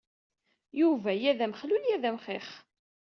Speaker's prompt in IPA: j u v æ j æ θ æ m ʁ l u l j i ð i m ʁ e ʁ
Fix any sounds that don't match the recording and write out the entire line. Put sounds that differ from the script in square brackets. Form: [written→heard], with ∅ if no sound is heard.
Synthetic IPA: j u v æ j æ [θ→ð] æ m [ʁ→χ] l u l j [i→æ] ð [i→æ] m [ʁ→χ] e [ʁ→χ]

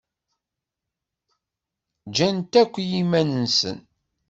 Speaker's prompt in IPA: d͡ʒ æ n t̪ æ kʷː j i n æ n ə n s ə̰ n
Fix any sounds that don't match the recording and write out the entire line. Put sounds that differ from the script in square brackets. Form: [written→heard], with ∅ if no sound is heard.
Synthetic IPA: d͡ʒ æ n t̪ æ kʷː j i [n→m] æ n ə n s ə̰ n

